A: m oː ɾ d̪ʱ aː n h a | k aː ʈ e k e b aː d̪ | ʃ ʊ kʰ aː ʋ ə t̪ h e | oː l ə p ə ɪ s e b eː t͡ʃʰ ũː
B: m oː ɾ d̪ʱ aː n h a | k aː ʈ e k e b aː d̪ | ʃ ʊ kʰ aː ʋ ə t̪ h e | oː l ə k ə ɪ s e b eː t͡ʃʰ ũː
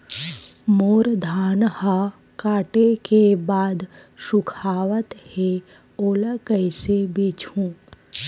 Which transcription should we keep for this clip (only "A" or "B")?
B